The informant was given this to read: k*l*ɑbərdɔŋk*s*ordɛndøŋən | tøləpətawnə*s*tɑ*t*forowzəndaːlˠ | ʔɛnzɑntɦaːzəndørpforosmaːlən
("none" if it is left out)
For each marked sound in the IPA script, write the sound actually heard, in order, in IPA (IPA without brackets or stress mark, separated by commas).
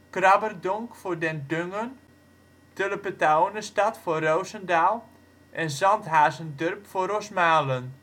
r, f, s, t